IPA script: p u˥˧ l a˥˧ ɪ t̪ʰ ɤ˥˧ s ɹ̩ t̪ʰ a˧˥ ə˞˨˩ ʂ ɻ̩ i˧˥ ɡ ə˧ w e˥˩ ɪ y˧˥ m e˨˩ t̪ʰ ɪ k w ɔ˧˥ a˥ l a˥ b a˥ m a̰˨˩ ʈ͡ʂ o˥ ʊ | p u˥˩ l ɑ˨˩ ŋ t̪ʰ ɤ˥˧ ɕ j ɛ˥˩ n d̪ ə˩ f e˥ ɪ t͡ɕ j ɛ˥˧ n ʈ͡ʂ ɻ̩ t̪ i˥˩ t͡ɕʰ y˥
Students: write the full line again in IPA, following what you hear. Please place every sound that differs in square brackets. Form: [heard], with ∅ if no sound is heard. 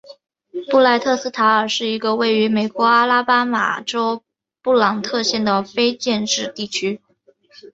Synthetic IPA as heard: p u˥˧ l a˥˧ ɪ t̪ʰ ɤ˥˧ s ɹ̩ t̪ʰ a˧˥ ə˞˨˩ ʂ ɻ̩ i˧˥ ɡ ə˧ w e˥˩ ɪ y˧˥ m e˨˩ [∅] ɪ k w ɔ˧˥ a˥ l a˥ [p] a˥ m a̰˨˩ ʈ͡ʂ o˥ ʊ | p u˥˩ l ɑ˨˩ ŋ t̪ʰ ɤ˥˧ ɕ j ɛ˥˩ n d̪ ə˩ f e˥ ɪ t͡ɕ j ɛ˥˧ n ʈ͡ʂ ɻ̩ t̪ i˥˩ t͡ɕʰ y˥

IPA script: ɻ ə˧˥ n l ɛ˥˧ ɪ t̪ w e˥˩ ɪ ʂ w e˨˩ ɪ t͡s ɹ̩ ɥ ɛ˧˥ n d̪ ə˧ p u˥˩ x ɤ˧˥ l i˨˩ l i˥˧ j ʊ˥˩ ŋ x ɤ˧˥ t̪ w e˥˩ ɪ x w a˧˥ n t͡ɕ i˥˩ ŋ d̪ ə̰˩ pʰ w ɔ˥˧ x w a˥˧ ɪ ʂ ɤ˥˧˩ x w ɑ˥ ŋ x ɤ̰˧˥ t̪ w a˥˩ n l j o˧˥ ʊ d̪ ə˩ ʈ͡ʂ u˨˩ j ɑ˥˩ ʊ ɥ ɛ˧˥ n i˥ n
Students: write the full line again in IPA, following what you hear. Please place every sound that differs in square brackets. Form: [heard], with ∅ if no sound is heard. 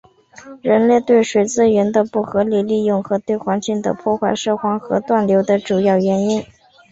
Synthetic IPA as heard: ɻ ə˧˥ n l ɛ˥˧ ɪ t̪ w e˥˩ ɪ ʂ w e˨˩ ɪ t͡s ɹ̩ ɥ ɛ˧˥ n d̪ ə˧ p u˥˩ x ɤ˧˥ l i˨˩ l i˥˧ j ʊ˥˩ ŋ x ɤ˧˥ t̪ w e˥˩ ɪ x w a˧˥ n t͡ɕ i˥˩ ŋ d̪ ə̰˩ pʰ w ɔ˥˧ x w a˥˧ ɪ ʂ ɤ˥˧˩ x w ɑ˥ ŋ x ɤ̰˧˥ t̪ w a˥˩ n l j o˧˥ ʊ d̪ [ə˧] ʈ͡ʂ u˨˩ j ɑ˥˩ ʊ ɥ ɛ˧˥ n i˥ n

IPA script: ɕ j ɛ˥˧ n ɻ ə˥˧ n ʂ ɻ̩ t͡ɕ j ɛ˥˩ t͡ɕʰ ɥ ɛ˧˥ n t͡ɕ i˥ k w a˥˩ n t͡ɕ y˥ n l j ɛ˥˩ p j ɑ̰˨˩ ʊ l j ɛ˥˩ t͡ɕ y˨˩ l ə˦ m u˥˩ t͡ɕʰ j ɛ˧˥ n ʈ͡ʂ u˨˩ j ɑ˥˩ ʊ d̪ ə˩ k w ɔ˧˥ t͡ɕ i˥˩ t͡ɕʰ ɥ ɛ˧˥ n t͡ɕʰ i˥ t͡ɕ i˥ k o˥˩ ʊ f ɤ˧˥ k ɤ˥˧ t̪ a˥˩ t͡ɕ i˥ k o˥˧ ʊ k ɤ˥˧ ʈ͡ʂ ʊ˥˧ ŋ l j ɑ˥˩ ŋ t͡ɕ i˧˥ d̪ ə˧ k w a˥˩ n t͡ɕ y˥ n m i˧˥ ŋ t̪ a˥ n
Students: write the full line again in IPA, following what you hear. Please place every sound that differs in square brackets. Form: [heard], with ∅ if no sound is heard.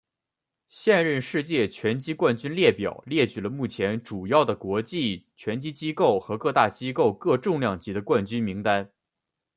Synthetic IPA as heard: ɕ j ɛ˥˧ n ɻ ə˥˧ n ʂ ɻ̩ t͡ɕ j ɛ˥˩ t͡ɕʰ ɥ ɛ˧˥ n t͡ɕ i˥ k w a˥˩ n t͡ɕ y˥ n l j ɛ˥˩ p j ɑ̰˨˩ ʊ l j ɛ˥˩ t͡ɕ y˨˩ l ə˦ m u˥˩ t͡ɕʰ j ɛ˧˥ n ʈ͡ʂ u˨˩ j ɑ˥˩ ʊ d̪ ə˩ k w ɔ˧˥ t͡ɕ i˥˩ t͡ɕʰ ɥ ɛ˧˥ n [t͡ɕ] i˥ t͡ɕ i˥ k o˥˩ ʊ [x] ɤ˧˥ k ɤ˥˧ t̪ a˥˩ t͡ɕ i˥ k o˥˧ ʊ k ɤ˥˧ ʈ͡ʂ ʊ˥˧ ŋ l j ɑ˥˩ ŋ t͡ɕ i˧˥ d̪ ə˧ k w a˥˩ n t͡ɕ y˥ n m i˧˥ ŋ t̪ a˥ n

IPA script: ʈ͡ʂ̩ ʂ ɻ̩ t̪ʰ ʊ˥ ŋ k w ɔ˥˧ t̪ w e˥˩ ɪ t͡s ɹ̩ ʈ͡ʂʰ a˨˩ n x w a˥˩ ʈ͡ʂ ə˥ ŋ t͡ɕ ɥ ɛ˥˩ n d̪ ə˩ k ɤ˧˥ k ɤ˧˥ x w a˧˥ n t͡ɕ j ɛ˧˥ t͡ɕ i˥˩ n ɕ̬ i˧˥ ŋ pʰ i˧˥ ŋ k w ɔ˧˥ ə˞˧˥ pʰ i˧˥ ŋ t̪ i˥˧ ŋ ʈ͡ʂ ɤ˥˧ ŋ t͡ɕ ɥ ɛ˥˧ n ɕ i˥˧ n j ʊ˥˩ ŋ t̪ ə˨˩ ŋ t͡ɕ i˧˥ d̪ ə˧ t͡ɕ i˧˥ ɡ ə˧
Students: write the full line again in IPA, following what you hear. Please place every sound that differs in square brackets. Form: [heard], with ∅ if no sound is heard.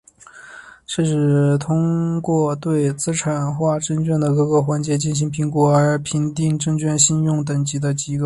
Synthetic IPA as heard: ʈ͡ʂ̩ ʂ ɻ̩ t̪ʰ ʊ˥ ŋ k w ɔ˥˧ t̪ w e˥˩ ɪ t͡s ɹ̩ ʈ͡ʂʰ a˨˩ n x w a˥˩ ʈ͡ʂ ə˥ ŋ t͡ɕ ɥ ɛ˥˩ n d̪ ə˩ k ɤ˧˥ k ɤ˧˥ x w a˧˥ n t͡ɕ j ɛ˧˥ t͡ɕ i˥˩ n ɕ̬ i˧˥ ŋ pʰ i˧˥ ŋ k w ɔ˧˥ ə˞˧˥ pʰ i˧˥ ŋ t̪ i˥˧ ŋ ʈ͡ʂ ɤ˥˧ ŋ t͡ɕ ɥ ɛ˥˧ n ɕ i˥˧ n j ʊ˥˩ ŋ t̪ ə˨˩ ŋ t͡ɕ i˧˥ d̪ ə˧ t͡ɕ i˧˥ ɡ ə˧

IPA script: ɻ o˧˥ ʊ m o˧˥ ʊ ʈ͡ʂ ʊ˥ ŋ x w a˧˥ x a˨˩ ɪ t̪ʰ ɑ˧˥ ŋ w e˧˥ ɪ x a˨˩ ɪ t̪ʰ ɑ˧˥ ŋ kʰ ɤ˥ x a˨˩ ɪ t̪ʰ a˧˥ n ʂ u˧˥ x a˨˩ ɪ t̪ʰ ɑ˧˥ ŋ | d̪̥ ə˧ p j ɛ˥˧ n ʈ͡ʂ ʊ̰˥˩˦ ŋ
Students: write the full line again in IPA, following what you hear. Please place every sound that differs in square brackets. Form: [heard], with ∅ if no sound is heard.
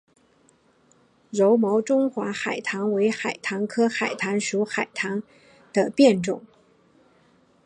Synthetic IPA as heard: ɻ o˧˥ ʊ m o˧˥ ʊ ʈ͡ʂ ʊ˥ ŋ x w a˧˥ x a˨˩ ɪ t̪ʰ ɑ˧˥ ŋ w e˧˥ ɪ x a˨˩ ɪ t̪ʰ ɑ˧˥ ŋ kʰ ɤ˥ x a˨˩ ɪ t̪ʰ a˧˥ n ʂ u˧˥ x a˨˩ ɪ t̪ʰ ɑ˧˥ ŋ | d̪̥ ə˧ p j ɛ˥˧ n ʈ͡ʂ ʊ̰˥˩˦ ŋ

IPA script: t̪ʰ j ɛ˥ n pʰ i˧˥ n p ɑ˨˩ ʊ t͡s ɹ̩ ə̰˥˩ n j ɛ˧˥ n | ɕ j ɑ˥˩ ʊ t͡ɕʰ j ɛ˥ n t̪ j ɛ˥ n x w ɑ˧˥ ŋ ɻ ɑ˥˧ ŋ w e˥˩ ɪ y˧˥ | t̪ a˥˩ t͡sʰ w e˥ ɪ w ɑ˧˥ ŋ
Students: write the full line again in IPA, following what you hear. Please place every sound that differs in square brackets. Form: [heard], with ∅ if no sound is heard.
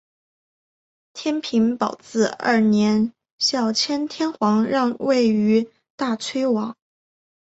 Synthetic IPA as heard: t̪ʰ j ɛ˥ n pʰ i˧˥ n p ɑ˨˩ ʊ t͡s ɹ̩ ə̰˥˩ n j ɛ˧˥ n | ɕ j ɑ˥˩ ʊ t͡ɕʰ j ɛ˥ n [t̪ʰ] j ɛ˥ n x w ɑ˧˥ ŋ ɻ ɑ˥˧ ŋ w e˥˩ ɪ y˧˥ | t̪ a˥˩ t͡sʰ w e˥ ɪ w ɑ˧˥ ŋ

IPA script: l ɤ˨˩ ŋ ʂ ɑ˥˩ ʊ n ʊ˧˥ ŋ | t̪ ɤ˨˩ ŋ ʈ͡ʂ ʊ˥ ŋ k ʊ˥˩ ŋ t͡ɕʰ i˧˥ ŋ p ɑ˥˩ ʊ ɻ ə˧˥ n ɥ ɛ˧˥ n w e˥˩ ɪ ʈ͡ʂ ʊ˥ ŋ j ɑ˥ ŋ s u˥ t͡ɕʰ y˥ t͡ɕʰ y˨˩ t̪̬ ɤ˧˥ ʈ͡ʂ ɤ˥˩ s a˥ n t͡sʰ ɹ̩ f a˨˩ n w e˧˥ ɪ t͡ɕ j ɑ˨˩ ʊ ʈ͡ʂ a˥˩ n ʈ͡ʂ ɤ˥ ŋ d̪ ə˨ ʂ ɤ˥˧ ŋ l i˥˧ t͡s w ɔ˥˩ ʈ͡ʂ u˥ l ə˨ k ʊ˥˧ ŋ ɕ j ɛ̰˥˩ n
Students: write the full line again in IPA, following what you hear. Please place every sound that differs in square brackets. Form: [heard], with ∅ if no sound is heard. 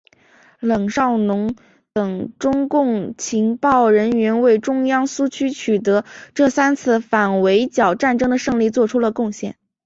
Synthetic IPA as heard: l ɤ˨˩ ŋ ʂ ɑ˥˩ ʊ n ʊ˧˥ ŋ | t̪ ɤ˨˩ ŋ ʈ͡ʂ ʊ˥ ŋ k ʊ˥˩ ŋ t͡ɕʰ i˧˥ ŋ p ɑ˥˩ ʊ ɻ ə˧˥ n ɥ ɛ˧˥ n w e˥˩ ɪ ʈ͡ʂ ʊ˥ ŋ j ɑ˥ ŋ s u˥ t͡ɕʰ y˥ t͡ɕʰ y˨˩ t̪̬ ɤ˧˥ ʈ͡ʂ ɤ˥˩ s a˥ n t͡sʰ ɹ̩ f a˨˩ n w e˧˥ ɪ t͡ɕ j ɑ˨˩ ʊ ʈ͡ʂ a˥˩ n ʈ͡ʂ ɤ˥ ŋ d̪ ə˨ ʂ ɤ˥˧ ŋ l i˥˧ t͡s w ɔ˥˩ [ʈ͡ʂʰ] u˥ l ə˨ k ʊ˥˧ ŋ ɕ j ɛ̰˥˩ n

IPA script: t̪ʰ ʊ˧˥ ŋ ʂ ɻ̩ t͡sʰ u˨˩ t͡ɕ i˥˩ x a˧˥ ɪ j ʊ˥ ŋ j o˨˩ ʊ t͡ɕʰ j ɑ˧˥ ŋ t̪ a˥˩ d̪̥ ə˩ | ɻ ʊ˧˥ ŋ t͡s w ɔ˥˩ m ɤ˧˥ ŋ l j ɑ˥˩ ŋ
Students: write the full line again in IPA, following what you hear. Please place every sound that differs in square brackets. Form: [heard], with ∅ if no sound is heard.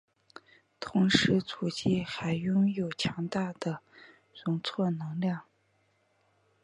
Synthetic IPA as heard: t̪ʰ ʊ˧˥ ŋ ʂ ɻ̩ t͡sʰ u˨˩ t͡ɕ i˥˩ x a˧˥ ɪ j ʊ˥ ŋ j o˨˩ ʊ t͡ɕʰ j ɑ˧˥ ŋ t̪ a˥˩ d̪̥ ə˩ | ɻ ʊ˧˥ ŋ [t͡sʰ] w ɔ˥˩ [n] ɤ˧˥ ŋ l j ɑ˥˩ ŋ

